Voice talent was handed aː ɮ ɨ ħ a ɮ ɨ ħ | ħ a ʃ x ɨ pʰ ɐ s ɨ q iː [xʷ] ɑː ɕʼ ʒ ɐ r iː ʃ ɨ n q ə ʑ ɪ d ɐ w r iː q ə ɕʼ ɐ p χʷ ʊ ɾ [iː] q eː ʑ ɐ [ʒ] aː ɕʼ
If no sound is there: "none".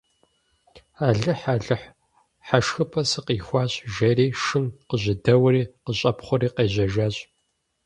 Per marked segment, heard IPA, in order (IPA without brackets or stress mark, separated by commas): xʷ, iː, ʒ